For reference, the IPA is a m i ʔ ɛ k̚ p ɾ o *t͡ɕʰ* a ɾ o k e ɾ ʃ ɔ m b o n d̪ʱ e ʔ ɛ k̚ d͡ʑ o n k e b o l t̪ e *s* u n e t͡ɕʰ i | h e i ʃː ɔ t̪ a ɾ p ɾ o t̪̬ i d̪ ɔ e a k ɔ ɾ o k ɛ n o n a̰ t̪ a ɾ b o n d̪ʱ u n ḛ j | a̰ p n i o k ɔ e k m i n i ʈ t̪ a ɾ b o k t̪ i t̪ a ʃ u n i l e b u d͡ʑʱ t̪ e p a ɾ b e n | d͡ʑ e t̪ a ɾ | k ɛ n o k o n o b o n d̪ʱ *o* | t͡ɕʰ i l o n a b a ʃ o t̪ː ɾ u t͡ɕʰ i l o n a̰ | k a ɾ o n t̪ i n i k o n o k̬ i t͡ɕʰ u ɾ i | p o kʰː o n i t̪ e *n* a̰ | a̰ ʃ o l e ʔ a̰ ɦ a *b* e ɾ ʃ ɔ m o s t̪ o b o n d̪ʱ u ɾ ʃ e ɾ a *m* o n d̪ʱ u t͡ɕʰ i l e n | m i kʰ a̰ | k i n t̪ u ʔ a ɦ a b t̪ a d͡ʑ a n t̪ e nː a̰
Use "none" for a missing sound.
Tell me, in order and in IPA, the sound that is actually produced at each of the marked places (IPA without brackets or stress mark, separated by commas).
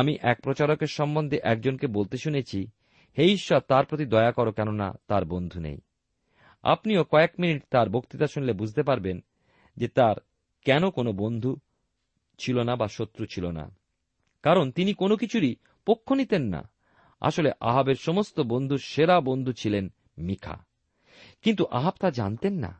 t͡ɕ, ʃ, u, nː, b, b